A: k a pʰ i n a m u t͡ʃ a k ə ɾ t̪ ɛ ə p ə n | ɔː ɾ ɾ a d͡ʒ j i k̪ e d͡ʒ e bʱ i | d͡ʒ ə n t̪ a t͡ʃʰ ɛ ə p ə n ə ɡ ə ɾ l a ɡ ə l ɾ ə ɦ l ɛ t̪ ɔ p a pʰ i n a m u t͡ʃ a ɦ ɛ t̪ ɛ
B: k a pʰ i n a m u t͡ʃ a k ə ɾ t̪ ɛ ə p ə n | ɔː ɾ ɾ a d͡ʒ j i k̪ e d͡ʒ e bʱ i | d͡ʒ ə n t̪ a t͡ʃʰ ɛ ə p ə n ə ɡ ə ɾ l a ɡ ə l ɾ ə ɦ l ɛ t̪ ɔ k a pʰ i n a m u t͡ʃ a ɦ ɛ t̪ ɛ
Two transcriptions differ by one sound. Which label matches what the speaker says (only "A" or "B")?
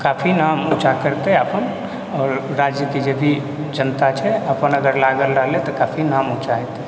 B